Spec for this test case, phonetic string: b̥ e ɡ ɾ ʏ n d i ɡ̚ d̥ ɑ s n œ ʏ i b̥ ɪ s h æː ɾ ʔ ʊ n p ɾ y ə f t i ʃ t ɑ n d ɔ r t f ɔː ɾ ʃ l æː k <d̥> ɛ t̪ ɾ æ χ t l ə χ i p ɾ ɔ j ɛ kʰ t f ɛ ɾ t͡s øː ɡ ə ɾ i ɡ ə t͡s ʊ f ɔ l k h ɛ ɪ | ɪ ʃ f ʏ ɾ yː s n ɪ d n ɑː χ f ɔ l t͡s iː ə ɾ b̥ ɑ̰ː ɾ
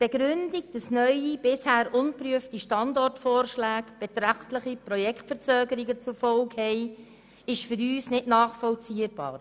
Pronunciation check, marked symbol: incorrect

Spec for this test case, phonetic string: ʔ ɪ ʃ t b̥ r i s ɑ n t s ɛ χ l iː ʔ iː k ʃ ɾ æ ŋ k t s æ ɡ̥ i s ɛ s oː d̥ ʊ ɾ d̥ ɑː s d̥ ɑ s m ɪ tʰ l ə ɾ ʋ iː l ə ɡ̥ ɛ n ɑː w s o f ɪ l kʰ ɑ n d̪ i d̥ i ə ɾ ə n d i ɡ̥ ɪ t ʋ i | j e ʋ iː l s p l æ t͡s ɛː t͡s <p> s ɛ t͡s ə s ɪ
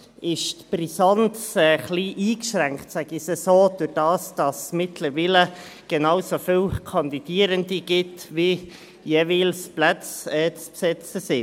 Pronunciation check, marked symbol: correct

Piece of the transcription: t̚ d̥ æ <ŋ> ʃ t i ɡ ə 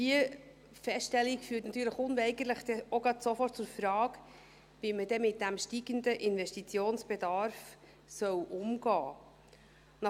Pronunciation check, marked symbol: incorrect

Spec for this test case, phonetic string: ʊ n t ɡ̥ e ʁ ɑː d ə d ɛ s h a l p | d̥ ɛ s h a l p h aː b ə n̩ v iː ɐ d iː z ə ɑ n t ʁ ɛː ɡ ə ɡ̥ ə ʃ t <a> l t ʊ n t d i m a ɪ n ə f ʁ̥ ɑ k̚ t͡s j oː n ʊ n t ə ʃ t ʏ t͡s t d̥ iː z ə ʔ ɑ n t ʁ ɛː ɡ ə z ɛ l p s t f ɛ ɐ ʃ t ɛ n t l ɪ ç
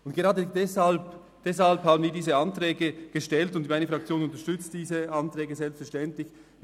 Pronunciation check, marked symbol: incorrect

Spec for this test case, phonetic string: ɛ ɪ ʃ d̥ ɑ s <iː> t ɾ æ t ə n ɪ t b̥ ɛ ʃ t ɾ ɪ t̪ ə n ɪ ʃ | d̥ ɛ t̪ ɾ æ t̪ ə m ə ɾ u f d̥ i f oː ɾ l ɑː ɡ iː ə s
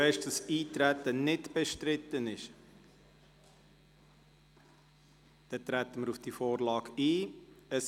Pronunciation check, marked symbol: correct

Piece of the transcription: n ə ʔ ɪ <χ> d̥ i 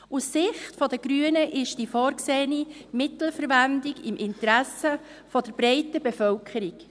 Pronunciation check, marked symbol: incorrect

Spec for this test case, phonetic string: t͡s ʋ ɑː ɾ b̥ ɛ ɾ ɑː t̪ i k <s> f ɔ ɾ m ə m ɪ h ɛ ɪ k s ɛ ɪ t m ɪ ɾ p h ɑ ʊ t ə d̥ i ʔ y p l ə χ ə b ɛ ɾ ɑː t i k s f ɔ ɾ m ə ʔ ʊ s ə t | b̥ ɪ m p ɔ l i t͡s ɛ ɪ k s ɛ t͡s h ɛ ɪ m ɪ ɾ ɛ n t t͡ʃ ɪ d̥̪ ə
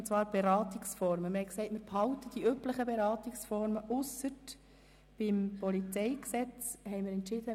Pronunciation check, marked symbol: correct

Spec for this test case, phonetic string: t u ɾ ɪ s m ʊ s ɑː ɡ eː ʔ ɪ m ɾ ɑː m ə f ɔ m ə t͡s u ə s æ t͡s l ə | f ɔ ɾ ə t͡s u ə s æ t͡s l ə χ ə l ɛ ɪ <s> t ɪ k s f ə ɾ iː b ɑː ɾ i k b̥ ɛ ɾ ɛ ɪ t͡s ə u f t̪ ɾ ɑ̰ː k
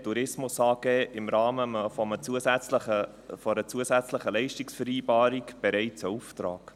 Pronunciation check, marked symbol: incorrect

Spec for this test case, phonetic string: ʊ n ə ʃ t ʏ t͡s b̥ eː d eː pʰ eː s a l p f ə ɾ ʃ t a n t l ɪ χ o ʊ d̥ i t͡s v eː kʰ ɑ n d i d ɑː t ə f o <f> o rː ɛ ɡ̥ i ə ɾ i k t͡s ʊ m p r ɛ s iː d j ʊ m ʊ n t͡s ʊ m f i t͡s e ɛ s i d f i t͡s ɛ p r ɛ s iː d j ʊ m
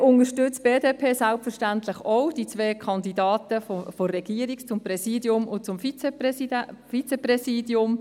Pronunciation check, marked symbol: correct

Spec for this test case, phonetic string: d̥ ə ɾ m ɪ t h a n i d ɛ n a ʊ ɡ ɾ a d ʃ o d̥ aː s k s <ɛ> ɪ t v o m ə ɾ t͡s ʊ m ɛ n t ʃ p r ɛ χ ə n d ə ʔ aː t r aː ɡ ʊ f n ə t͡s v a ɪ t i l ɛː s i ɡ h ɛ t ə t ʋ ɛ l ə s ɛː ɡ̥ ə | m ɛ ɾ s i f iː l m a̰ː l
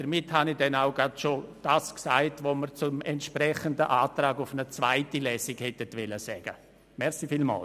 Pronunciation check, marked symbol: incorrect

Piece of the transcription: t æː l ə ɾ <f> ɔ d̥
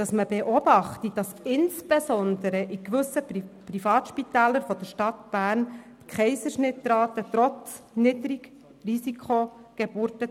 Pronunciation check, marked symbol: correct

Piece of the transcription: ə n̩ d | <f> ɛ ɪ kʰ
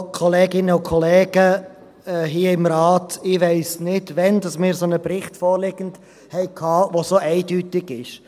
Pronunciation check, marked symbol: incorrect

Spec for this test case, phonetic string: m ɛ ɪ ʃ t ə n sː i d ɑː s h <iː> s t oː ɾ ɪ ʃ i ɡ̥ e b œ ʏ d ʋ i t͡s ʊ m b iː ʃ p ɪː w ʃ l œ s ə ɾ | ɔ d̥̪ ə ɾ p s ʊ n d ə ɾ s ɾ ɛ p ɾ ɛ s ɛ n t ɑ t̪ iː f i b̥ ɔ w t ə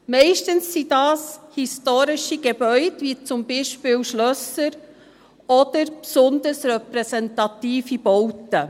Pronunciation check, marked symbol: incorrect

